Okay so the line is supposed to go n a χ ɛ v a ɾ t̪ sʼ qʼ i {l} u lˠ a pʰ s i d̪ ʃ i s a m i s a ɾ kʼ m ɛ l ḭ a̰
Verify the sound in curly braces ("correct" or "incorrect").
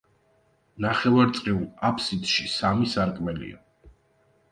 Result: incorrect